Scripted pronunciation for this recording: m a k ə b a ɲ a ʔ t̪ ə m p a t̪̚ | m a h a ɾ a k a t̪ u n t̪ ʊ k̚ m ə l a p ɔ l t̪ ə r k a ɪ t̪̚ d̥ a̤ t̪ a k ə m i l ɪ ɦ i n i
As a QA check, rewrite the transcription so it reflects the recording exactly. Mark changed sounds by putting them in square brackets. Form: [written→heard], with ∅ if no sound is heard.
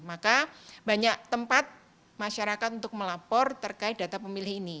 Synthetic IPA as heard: m a k [ə→a] b a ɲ a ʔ t̪ ə m p a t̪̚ | m a [h→ʃ] a ɾ a k a t̪ u n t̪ ʊ k̚ m ə l a p ɔ [l→r] t̪ ə r k a ɪ t̪̚ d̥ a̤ t̪ a [k→p] ə m i l ɪ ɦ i n i

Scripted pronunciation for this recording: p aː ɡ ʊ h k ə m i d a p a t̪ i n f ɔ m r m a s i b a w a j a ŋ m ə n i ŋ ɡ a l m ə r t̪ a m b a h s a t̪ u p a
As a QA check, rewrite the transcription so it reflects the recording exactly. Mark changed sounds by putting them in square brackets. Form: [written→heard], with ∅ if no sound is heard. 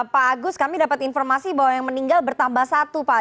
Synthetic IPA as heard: p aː ɡ ʊ [h→s] k [ə→a] m i d a p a t̪ i n f ɔ [m→∅] r m a s i b a w a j a ŋ m ə n i ŋ ɡ a l [m→b] ə r t̪ a m b a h s a t̪ u p a

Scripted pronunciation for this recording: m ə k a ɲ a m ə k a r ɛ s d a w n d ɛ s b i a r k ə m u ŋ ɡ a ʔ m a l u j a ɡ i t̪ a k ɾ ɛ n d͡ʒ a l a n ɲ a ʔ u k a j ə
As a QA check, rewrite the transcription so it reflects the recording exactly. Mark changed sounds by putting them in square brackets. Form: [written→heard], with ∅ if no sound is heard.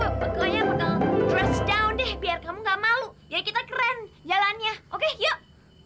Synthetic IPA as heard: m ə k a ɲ a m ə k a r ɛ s d a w n d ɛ [s→h] b i a r k [ə→a] m u ŋ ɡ a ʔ m a l u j a [ɡ→k] i t̪ a k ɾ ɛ n d͡ʒ a l a n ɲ a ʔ [u→o] k [a→e] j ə

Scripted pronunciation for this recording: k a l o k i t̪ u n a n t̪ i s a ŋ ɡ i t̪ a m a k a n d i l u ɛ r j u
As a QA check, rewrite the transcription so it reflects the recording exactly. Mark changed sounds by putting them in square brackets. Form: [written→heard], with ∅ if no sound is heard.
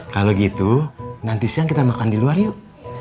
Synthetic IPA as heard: k a l o [k→ɡ] i t̪ u n a n t̪ i s a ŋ [ɡ→k] i t̪ a m a k a n d i l u [ɛ→a] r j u

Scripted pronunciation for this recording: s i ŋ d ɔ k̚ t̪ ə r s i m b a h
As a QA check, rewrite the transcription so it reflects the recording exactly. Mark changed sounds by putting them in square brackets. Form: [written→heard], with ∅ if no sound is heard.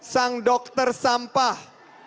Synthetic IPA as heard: s [i→a] ŋ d ɔ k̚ t̪ ə r s [i→a] m [b→p] a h

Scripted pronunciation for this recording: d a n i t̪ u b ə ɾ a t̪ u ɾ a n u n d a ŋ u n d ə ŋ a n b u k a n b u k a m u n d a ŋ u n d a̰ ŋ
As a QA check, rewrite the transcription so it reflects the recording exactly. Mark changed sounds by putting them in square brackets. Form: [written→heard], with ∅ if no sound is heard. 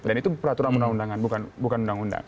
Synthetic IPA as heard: d a n i t̪ u [b→p] ə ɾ a t̪ u ɾ a n u n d a ŋ u n d [ə→a] ŋ a n b u k a n b u k a [m→n] u n d a ŋ u n d a̰ ŋ

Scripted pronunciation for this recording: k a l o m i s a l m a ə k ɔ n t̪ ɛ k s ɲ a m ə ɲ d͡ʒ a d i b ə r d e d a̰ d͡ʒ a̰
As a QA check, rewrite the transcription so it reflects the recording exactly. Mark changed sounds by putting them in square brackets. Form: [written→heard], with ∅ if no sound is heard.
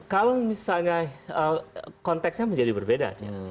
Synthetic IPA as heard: k a l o m i s a l [m→ɲ] a ə k ɔ n t̪ ɛ k s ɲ a m ə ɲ d͡ʒ a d i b ə r [d→b] e d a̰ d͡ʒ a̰

